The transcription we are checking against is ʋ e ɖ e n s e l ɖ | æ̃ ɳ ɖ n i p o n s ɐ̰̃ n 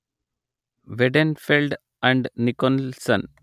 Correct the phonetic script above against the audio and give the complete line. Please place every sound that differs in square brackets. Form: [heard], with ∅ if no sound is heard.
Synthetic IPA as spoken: ʋ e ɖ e n [f] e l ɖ | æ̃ ɳ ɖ n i [k] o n s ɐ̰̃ n